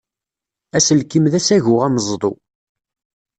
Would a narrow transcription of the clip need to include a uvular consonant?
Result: yes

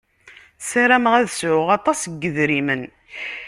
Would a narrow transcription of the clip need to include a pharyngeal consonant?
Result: yes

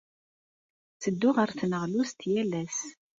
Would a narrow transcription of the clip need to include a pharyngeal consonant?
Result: no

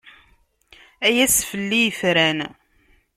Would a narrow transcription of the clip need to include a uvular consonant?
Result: no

